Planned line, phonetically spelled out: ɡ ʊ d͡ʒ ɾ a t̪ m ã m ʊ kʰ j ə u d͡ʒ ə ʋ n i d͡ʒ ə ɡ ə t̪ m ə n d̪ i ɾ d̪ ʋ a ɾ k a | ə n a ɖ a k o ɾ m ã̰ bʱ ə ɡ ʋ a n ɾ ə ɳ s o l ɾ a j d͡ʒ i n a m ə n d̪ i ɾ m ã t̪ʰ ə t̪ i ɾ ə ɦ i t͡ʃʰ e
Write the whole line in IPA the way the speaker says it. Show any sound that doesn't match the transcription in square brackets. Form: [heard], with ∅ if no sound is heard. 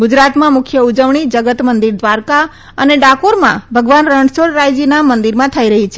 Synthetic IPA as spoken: ɡ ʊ d͡ʒ ɾ a t̪ m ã m ʊ kʰ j ə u d͡ʒ ə ʋ [ɳ] i d͡ʒ ə ɡ ə t̪ m ə n d̪ i ɾ d̪ ʋ a ɾ k a | ə n [e] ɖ a k o ɾ m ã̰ bʱ ə ɡ ʋ a n ɾ ə ɳ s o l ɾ a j d͡ʒ i n a m ə n d̪ i ɾ m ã t̪ʰ ə [∅] i ɾ ə ɦ i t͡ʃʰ e